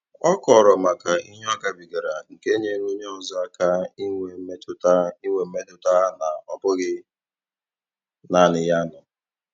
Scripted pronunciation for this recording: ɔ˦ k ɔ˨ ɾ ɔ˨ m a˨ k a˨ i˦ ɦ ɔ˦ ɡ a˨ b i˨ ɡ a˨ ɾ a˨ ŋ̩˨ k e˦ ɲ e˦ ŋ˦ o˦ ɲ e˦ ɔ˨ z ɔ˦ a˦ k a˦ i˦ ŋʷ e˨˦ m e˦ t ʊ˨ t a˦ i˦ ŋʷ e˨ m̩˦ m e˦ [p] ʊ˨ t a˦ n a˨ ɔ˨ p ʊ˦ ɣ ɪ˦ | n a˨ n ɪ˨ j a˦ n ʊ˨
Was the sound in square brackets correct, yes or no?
no